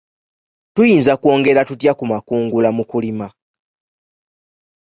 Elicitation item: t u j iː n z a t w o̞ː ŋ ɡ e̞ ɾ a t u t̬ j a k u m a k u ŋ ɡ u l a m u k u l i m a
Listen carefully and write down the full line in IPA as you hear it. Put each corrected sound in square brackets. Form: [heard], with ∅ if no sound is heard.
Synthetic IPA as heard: t u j iː n z a [k] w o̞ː ŋ ɡ e̞ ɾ a t u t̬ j a k u m a k [uː] ŋ ɡ u l a m u k u l i m a